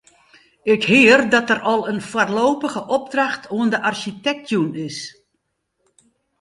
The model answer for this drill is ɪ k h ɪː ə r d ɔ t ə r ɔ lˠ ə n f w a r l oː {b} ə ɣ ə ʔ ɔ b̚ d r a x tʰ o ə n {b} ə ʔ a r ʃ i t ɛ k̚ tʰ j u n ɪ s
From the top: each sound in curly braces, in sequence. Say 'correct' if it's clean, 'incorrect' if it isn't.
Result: incorrect: p, incorrect: d

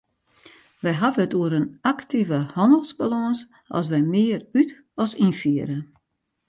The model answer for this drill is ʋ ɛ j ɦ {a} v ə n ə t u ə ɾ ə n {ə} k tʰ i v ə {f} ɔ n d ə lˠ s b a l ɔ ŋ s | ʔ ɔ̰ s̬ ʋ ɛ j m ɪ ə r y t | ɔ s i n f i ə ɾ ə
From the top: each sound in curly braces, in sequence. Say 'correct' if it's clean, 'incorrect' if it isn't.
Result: correct, incorrect: a, incorrect: h

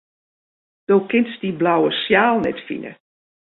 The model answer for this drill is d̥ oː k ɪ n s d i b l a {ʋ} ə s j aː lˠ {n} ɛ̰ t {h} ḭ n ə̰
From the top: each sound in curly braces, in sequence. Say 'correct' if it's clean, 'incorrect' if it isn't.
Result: incorrect: w, correct, incorrect: f

